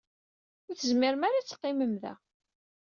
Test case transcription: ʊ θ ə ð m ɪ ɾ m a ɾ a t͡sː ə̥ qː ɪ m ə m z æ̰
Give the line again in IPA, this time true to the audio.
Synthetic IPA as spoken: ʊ θ ə z m ɪ ɾ m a ɾ a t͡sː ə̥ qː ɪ m ə m ð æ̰